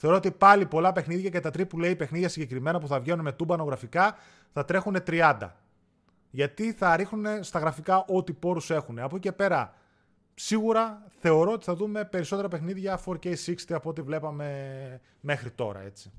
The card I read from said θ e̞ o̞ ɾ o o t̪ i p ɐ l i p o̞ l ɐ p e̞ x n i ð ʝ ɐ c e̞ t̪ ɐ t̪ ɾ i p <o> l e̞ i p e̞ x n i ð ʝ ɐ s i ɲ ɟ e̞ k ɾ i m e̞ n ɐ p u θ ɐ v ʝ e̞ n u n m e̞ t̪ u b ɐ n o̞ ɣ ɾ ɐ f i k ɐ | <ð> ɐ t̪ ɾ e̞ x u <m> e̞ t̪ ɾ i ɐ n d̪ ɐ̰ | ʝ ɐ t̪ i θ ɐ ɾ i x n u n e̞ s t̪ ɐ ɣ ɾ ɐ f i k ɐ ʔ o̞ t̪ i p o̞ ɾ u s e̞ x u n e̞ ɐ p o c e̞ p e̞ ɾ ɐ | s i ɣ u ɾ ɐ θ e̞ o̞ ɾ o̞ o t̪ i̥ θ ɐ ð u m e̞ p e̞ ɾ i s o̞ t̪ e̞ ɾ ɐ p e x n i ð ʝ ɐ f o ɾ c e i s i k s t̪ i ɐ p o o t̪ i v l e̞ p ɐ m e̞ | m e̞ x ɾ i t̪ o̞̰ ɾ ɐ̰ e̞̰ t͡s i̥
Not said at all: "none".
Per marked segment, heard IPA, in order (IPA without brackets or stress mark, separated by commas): u, θ, n